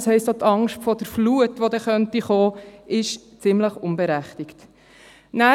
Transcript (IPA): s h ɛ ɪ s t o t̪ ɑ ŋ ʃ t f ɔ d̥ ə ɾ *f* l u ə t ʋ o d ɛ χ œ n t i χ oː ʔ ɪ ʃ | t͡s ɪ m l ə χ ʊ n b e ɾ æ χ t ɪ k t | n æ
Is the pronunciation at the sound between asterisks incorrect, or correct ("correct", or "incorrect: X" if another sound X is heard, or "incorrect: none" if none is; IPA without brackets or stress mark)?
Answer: correct